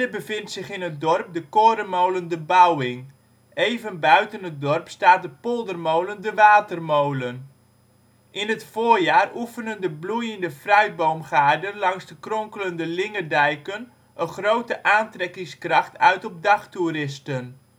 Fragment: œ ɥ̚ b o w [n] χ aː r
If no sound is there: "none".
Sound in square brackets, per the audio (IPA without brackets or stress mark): m